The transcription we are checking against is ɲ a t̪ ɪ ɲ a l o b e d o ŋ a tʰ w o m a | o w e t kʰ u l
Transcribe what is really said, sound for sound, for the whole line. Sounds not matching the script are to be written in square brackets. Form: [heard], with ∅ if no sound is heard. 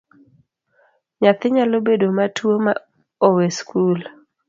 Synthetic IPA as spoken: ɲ a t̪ ɪ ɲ a l o b e d o [m] a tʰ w o m a | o w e [s] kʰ u l